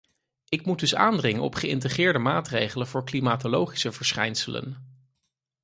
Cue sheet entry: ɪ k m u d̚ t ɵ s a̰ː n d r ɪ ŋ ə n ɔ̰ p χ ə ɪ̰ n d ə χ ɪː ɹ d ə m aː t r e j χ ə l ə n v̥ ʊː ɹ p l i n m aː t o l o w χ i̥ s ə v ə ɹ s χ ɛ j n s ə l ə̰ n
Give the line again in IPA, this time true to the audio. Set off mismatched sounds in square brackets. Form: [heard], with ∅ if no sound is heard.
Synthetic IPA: ɪ k m u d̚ [d] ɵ s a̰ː n d r ɪ ŋ ə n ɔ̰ p χ ə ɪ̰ n [t] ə χ ɪː ɹ d ə m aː t r e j χ ə l ə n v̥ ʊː ɹ [k] l i [∅] m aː t o l o w χ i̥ s ə v ə ɹ s χ ɛ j n s ə l ə̰ n

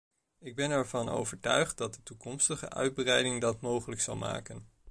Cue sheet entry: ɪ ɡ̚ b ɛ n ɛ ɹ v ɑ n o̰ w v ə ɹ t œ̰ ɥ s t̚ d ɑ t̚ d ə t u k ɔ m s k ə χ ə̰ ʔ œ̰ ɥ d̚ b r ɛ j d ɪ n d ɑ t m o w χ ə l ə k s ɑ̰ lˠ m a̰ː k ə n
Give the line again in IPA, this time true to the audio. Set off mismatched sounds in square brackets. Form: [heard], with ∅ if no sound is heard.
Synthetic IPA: ɪ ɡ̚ b ɛ n ɛ ɹ v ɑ n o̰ w v ə ɹ t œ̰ ɥ [χ] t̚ d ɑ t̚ d ə t u k ɔ m s [t] ə χ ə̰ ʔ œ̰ ɥ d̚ b r ɛ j d ɪ [ŋ] d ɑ t m o w χ ə l ə k s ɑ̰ lˠ m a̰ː k ə n

